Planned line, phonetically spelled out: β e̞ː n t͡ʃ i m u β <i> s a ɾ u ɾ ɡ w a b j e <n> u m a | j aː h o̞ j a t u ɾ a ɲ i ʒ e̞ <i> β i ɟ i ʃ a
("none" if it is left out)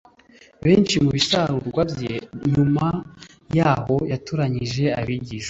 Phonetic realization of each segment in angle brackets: i, ɲ, a

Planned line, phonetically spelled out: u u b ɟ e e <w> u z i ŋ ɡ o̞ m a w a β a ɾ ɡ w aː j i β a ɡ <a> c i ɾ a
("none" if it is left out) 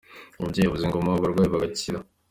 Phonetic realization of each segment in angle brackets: β, a

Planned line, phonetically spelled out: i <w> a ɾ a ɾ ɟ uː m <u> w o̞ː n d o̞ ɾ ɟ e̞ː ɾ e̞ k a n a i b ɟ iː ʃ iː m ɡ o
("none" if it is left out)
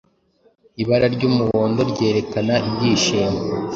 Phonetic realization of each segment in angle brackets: β, u

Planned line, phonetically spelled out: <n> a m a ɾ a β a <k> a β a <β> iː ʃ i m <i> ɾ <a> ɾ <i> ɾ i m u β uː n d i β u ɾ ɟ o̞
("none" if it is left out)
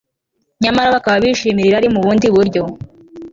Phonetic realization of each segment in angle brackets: ɲ, k, β, i, i, a

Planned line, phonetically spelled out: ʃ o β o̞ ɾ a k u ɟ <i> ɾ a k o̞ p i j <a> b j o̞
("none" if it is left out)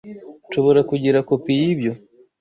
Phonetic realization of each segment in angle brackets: i, i

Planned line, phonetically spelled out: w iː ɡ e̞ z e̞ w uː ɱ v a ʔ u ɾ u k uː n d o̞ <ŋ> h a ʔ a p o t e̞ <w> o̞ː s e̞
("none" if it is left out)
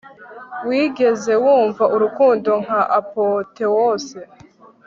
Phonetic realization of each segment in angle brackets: ŋ, w

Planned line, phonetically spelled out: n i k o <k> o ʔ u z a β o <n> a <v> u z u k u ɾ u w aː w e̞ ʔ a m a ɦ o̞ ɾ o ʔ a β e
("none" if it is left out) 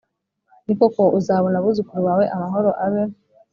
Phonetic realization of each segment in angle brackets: k, n, β

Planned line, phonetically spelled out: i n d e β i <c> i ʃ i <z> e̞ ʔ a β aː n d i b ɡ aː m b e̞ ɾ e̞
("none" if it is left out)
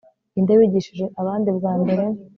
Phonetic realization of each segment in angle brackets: ɟ, ʒ

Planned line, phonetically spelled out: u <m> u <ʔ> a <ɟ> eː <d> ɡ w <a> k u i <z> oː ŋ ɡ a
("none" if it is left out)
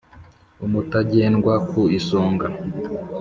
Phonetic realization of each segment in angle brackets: m, t, ɟ, n, a, s

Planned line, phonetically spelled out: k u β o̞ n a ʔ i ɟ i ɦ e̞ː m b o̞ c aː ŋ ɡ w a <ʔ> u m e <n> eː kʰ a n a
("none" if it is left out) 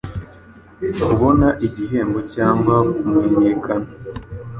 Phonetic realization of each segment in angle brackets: k, ɲ

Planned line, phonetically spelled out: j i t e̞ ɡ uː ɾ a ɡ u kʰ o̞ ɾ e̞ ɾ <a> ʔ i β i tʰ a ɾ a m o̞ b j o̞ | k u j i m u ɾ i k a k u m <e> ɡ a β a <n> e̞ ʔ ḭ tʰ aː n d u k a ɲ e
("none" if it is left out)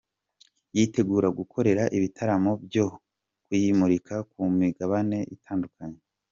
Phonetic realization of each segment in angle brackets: a, i, n

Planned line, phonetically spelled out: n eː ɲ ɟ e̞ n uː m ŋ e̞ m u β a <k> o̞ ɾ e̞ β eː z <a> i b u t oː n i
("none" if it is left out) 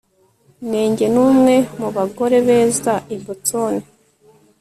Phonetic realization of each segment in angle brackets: ɡ, a

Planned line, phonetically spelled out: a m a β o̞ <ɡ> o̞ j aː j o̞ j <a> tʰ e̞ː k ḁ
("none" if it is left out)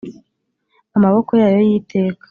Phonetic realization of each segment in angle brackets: k, i

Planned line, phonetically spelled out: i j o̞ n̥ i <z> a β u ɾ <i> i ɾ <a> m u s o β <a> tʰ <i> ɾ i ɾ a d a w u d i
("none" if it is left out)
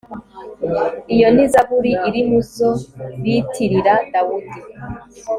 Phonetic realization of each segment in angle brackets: z, i, i, i, i

